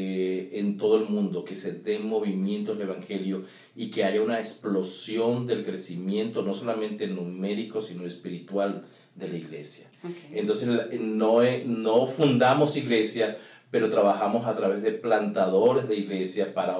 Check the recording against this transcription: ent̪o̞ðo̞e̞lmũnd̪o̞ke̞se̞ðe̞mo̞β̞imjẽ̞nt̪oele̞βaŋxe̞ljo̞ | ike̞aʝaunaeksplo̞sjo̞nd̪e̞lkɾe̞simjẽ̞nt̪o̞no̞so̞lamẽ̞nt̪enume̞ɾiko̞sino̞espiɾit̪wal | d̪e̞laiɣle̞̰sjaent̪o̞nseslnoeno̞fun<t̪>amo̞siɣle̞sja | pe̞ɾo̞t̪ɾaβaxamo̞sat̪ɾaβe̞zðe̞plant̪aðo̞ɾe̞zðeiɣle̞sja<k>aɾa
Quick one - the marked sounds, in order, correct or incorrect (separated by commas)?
incorrect, incorrect